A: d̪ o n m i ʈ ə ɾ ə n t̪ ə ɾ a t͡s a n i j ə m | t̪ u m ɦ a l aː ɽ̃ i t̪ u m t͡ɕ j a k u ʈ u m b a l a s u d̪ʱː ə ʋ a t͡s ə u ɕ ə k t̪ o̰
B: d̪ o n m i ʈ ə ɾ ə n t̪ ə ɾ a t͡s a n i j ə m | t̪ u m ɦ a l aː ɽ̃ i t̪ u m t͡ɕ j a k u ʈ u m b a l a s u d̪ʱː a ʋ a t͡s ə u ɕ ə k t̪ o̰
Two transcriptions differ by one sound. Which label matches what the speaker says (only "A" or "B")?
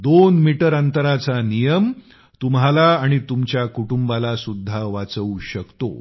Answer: B